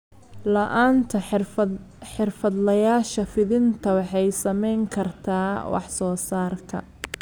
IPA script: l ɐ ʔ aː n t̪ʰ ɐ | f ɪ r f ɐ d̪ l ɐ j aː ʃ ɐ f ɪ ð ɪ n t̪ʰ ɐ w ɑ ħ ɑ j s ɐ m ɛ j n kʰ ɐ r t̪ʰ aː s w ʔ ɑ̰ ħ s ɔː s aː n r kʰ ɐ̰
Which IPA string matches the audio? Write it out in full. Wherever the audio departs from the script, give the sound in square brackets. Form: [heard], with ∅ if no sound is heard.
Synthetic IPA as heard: l ɐ ʔ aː n t̪ʰ ɐ | [ħ] ɪ r f ɐ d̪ l ɐ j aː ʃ ɐ f ɪ ð ɪ n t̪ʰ ɐ w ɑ ħ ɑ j s ɐ m ɛ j [ŋ] kʰ ɐ r t̪ʰ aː [∅] w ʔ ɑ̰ ħ s ɔː s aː [∅] r kʰ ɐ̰